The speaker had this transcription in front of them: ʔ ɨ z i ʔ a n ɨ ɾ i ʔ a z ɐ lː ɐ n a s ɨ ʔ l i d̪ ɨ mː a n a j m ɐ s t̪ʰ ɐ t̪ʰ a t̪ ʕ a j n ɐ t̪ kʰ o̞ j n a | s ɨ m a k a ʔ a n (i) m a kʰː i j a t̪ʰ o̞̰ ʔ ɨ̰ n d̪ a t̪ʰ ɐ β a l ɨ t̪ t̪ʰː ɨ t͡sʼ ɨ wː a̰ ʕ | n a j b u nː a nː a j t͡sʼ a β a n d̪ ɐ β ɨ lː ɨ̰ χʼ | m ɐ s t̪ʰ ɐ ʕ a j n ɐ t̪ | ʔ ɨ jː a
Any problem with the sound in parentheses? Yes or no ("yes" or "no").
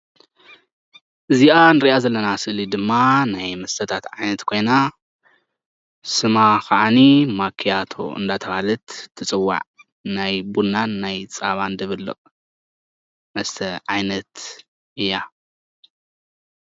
no